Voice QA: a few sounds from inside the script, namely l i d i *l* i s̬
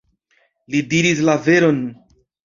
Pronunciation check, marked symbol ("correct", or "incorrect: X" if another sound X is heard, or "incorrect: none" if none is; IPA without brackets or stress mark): incorrect: ɾ